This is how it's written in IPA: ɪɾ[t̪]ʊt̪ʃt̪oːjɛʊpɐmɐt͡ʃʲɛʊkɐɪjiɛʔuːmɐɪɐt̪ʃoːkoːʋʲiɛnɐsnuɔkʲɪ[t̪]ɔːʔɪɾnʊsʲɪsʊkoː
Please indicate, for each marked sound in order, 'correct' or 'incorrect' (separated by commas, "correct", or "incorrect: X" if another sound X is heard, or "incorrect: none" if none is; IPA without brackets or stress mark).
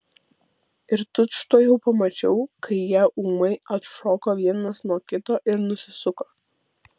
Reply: correct, correct